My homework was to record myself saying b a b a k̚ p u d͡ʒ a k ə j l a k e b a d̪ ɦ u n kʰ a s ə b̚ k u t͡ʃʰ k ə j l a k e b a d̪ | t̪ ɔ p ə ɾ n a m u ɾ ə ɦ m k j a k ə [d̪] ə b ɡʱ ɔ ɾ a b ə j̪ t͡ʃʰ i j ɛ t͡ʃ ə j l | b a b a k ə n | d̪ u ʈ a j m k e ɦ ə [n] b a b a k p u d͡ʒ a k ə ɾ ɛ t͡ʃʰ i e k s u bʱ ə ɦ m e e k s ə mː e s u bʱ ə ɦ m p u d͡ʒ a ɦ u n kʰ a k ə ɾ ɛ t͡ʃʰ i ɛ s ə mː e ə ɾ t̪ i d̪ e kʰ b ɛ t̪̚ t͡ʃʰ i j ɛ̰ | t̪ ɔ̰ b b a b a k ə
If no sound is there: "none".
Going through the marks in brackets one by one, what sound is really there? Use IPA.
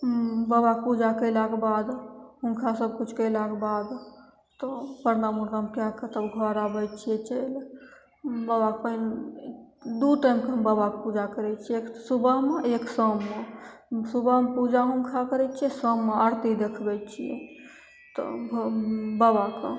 t̪, m

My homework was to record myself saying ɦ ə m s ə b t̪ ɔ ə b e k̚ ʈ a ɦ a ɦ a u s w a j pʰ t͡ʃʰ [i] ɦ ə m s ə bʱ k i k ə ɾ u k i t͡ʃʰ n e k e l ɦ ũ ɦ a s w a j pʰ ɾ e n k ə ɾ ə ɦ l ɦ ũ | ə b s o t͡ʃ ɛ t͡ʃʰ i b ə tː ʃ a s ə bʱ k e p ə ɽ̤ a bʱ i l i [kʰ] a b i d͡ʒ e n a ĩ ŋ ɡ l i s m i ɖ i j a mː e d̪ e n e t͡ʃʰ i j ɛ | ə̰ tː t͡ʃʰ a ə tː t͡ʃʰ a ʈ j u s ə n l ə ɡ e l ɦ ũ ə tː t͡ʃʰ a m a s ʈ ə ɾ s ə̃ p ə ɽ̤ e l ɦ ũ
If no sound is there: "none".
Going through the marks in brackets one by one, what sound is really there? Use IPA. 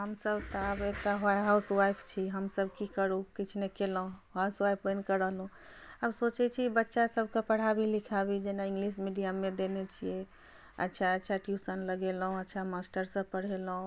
i, kʰ

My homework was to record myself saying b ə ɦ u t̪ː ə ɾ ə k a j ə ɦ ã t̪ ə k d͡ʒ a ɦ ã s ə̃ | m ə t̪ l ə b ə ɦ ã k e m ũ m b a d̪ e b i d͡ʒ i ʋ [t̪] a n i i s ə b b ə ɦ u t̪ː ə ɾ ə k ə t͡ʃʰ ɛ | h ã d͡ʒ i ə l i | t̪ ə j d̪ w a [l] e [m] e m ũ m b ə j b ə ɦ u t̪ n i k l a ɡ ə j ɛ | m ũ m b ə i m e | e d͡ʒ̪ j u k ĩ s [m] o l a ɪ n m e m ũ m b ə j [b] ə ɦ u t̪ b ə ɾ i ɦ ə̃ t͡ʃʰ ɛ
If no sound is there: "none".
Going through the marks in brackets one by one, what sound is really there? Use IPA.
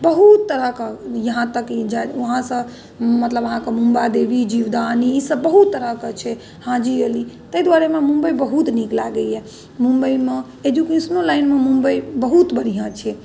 d̪, ɾ, m, n, b

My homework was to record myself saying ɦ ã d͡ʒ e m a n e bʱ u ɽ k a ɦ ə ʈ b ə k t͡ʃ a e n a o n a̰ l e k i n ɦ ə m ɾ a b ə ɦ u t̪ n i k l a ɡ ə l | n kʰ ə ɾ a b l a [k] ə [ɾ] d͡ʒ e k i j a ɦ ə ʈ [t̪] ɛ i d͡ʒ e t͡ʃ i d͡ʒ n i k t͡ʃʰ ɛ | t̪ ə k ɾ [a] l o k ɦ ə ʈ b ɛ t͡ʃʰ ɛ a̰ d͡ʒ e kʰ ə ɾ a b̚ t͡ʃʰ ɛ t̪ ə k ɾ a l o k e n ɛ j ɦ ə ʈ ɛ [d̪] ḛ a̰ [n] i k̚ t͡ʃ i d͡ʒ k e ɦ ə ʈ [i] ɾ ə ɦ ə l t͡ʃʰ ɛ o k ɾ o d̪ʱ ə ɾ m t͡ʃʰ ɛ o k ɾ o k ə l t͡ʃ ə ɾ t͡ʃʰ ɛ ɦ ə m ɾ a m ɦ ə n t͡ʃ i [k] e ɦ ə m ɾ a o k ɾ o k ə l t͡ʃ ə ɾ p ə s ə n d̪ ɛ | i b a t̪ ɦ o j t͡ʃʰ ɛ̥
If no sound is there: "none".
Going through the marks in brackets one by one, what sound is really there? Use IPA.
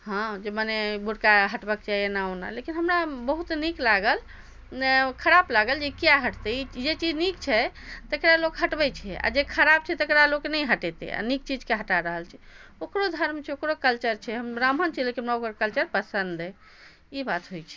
ɡ, l, t̪, a, t̪, n, a, k

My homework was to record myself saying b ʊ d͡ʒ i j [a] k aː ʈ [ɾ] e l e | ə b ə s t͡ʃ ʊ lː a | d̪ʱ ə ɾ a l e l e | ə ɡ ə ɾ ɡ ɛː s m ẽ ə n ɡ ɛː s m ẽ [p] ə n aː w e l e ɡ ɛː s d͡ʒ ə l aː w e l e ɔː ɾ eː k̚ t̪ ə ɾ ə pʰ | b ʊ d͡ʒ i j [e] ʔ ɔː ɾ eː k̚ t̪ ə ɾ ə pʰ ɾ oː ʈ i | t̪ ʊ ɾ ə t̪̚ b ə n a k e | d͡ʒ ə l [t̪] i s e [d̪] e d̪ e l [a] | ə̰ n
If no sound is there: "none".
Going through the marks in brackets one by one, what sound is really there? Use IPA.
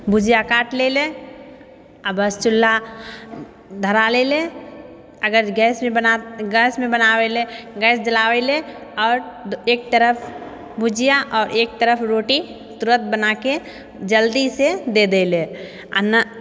a, l, b, a, d̪, d̪, e

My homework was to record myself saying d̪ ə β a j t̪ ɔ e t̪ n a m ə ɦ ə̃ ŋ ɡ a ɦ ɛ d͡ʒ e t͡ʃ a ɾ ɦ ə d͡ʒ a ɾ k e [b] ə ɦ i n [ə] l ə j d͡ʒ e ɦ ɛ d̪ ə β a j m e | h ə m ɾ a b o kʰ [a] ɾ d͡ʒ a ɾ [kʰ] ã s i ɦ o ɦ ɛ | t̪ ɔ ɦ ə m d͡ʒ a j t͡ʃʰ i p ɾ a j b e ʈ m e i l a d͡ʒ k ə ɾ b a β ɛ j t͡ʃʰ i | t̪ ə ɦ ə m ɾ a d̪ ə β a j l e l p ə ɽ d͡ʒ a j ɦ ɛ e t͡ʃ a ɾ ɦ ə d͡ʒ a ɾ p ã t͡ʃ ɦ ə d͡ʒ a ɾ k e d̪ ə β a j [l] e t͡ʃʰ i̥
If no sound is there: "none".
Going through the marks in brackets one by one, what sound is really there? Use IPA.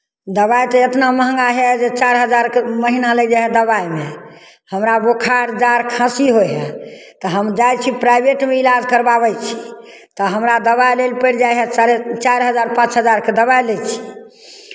m, a, a, kʰ, l

